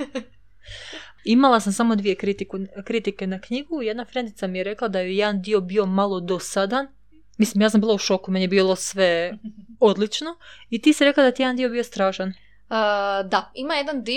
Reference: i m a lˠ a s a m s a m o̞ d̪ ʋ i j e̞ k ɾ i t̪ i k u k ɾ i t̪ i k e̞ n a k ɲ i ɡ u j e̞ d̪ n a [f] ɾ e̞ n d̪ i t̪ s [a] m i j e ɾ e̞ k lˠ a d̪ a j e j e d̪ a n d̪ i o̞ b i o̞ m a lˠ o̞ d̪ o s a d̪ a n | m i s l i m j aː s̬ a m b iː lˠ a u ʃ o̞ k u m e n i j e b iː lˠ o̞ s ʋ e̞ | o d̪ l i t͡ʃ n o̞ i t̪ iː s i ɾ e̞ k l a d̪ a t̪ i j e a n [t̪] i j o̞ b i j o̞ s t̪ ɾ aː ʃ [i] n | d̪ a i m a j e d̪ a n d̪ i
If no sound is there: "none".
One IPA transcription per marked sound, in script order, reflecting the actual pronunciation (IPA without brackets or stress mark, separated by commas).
f, a, d̪, a